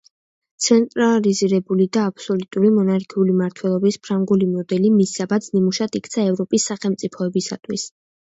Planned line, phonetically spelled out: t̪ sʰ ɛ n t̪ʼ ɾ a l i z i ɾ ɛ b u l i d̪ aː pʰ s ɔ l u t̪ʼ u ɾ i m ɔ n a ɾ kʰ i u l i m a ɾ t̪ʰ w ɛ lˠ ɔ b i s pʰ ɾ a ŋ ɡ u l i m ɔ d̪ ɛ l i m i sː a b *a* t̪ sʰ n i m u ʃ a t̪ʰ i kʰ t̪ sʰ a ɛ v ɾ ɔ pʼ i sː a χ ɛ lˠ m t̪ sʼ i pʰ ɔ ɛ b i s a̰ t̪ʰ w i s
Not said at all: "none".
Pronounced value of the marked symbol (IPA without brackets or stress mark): a